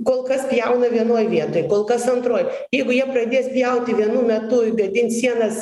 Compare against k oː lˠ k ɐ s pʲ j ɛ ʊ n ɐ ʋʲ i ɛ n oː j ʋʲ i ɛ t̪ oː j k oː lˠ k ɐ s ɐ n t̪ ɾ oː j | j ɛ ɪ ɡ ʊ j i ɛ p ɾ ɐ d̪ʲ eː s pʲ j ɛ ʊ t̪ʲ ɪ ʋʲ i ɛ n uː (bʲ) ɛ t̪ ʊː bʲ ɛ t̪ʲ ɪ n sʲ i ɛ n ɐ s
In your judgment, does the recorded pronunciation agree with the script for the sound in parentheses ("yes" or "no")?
no